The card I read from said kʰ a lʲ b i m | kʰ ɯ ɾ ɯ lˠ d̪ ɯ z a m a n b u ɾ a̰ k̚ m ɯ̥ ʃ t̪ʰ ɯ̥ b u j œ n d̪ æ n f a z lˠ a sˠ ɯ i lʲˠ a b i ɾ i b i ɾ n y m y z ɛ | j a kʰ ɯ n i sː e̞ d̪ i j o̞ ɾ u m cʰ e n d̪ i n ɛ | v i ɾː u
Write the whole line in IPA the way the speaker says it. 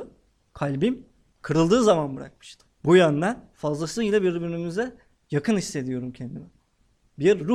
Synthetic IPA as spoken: kʰ a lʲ b i m | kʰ ɯ ɾ ɯ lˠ d̪ ɯː z a m a n b ɯ ɾ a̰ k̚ m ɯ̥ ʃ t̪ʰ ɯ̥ b u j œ n d̪ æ n f a z lˠ a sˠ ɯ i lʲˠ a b i ɾ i b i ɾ n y m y z ɛ | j a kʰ ɯ n i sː e̞ d̪ i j o̞ ɾ u m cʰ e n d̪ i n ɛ | b i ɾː u